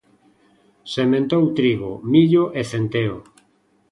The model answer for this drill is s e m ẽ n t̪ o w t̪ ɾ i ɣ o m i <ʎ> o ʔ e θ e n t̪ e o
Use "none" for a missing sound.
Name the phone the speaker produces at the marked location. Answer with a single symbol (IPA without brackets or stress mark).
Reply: ʎ